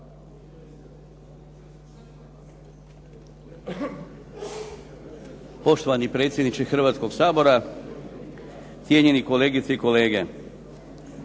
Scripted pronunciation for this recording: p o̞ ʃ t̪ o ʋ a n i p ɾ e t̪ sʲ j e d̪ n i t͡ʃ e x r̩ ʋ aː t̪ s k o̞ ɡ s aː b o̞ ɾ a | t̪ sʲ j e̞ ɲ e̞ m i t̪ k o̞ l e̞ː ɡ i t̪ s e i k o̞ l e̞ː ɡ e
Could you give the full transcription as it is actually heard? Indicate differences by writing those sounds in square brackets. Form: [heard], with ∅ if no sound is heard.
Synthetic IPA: p o̞ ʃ t̪ o ʋ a n i p ɾ e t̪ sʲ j e d̪ n i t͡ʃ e x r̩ ʋ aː t̪ s k o̞ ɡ s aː b o̞ ɾ a | t̪ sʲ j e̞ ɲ e̞ [n] i [∅] k o̞ l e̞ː ɡ i t̪ s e i k o̞ l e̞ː ɡ e